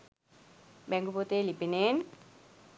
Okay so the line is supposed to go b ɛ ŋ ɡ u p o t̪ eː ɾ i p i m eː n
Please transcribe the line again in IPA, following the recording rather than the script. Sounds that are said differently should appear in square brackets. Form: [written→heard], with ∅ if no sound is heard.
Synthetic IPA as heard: b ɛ ŋ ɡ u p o t̪ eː [ɾ→l] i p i [m→n] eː n